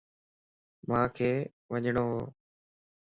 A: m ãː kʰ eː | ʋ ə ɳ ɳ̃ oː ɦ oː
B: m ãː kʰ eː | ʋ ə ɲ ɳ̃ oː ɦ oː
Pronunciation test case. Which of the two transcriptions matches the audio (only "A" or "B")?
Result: B